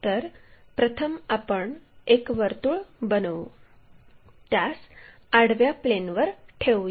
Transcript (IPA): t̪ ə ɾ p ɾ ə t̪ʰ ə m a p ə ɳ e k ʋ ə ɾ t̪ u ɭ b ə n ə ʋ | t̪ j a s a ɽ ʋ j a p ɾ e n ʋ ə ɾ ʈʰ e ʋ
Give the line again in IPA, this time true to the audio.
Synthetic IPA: t̪ ə ɾ p ɾ ə t̪ʰ ə m a p ə ɳ e k ʋ ə ɾ t̪ u ɭ b ə n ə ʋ | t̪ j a s a ɽ ʋ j a p l e n ʋ ə ɾ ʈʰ e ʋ